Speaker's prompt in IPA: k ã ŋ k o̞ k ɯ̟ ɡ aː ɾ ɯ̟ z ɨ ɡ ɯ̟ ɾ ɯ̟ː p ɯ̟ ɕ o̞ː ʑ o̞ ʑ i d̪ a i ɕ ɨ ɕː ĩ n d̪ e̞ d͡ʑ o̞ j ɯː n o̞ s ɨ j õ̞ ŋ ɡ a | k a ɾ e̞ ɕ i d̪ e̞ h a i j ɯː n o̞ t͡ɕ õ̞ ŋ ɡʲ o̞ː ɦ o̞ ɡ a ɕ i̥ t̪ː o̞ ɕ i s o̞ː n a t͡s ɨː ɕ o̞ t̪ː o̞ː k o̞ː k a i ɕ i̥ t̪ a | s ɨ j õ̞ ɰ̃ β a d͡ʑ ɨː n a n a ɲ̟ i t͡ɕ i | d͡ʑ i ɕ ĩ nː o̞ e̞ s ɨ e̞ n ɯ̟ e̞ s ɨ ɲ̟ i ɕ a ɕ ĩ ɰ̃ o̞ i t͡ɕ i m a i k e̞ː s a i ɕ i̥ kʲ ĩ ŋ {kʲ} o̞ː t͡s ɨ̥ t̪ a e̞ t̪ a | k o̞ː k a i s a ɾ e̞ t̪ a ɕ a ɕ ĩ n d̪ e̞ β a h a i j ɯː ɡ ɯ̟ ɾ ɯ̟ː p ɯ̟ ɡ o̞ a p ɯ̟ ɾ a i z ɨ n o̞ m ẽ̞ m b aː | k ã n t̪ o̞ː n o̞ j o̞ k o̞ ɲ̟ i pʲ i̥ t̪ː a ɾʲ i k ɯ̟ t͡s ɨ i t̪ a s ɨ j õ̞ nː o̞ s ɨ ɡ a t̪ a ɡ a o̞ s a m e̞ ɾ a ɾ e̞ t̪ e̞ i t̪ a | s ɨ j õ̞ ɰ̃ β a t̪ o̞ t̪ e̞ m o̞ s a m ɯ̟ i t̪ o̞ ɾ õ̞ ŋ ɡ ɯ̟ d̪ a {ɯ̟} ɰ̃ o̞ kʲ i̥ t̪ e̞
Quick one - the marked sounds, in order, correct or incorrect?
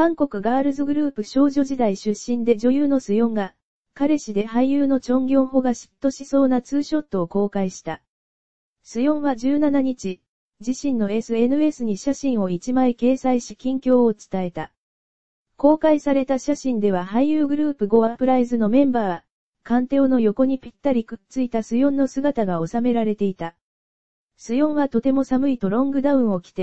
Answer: correct, incorrect: ɯ̟̃

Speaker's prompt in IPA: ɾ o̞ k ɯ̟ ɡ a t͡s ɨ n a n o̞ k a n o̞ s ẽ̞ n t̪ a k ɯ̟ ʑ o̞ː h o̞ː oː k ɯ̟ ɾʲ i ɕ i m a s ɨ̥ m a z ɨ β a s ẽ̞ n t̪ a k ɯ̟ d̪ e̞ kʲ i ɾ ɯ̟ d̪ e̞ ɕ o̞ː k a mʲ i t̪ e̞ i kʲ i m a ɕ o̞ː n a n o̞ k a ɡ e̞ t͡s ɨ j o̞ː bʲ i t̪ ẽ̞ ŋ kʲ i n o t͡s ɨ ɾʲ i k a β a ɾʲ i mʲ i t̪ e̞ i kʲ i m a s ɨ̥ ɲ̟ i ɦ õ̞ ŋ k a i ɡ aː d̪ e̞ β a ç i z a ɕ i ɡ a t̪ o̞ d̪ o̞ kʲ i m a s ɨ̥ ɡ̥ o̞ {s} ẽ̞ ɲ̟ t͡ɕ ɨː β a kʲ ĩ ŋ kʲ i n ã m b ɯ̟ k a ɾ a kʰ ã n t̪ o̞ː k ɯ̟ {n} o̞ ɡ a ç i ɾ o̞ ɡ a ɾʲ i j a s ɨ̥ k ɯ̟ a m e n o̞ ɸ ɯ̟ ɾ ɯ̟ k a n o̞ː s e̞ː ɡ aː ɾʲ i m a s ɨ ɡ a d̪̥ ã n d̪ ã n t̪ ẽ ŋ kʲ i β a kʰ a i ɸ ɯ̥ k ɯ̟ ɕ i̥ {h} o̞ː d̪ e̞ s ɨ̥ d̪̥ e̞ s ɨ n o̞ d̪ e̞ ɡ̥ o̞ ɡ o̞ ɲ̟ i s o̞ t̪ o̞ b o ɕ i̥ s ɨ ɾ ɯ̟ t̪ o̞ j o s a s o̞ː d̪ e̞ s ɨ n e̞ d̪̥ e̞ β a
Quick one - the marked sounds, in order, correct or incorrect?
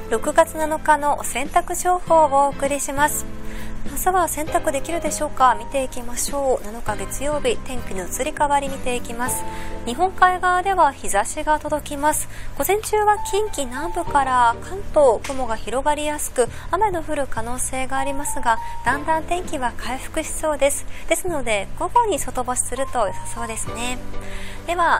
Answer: incorrect: z, incorrect: m, incorrect: s

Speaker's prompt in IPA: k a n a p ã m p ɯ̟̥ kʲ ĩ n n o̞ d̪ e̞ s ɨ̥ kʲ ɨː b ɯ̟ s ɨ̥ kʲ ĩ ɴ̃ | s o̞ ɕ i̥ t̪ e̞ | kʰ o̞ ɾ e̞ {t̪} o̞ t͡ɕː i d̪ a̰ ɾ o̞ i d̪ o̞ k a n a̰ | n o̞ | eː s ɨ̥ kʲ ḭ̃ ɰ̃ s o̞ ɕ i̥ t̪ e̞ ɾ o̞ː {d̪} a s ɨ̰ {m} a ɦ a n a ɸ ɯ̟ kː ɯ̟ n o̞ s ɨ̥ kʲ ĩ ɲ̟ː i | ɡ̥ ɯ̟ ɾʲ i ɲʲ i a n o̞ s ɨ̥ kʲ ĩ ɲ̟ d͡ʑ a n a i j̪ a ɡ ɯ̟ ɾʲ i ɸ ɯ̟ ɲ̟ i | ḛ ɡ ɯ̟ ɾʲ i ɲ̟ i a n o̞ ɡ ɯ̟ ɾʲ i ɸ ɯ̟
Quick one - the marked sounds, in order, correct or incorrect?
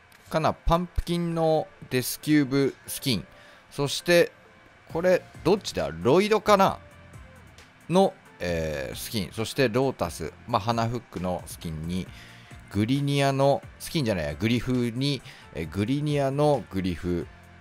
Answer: incorrect: d̪, incorrect: t̪, correct

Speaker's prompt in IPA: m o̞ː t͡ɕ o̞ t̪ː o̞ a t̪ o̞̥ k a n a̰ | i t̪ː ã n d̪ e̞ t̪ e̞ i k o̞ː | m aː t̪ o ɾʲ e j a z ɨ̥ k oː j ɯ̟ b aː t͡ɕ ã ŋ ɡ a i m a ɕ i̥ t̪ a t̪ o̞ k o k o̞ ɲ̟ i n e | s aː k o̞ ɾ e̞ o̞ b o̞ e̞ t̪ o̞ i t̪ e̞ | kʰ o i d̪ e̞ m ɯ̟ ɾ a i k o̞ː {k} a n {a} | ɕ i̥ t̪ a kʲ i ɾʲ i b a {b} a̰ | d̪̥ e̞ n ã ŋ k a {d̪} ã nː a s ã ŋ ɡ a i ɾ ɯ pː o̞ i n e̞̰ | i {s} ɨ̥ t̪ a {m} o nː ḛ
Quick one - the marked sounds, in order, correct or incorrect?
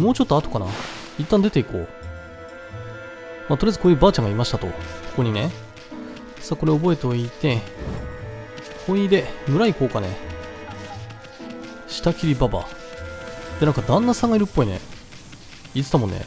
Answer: correct, incorrect: e, correct, correct, incorrect: t͡s, correct

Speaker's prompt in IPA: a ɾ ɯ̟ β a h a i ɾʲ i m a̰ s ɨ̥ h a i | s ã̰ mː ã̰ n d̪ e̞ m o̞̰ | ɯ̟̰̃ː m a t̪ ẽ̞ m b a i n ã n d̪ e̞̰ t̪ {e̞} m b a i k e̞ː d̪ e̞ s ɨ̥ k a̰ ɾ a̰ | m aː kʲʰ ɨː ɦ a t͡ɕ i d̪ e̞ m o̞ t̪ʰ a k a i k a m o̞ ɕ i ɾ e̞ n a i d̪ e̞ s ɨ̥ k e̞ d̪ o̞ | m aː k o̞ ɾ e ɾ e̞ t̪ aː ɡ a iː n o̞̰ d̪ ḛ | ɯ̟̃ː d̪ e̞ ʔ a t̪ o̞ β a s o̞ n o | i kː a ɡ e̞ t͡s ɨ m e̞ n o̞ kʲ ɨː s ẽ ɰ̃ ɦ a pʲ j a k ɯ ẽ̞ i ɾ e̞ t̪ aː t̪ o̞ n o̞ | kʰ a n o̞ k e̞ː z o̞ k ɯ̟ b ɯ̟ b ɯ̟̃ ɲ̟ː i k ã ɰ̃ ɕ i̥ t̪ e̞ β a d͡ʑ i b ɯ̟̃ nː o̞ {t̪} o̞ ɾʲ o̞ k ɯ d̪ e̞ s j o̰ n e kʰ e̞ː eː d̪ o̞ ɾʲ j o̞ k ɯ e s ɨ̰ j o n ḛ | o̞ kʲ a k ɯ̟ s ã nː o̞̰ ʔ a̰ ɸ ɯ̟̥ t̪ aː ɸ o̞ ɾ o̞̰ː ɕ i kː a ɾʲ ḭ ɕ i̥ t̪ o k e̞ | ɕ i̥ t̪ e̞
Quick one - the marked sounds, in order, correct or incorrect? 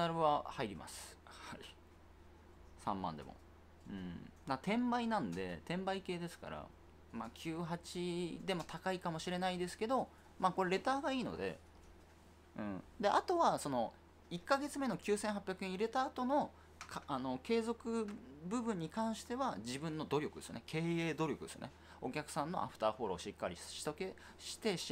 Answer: incorrect: ẽ̞, incorrect: d̪

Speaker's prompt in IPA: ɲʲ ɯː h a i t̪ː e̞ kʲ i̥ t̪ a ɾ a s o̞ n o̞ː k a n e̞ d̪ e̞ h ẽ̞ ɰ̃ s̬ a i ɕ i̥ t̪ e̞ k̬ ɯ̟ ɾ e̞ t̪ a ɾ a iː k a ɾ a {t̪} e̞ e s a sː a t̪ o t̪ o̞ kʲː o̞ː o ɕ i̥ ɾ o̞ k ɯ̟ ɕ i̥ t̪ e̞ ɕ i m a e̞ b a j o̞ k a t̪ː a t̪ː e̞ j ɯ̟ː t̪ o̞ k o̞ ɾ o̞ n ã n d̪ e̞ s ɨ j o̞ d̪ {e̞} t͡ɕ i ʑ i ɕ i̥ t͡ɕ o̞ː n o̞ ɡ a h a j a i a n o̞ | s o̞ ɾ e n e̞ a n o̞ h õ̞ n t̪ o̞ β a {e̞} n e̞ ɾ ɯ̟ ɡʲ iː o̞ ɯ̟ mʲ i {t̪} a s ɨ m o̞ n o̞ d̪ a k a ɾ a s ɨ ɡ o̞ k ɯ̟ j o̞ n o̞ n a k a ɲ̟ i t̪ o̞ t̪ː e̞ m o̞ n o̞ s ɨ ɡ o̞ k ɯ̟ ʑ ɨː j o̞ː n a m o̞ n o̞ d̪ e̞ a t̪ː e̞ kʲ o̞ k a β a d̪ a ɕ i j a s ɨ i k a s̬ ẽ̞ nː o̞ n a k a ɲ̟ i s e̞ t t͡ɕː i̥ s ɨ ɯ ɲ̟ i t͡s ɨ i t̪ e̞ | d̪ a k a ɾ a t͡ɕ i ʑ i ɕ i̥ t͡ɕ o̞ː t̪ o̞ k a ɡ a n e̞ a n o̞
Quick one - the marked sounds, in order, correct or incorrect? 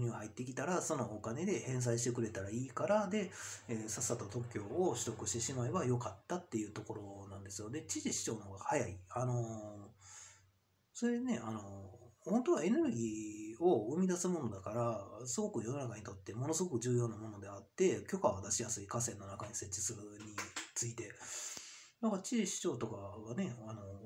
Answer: incorrect: d̪, correct, correct, incorrect: d̪

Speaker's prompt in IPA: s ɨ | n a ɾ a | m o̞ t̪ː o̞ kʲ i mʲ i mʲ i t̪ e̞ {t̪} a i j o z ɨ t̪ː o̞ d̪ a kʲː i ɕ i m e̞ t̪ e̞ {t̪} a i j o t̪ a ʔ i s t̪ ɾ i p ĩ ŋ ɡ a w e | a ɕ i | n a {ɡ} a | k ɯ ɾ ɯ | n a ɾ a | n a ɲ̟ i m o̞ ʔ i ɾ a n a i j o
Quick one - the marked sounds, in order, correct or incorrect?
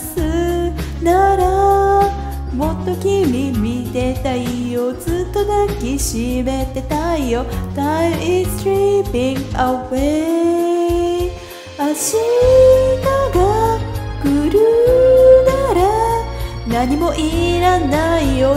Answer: correct, correct, correct

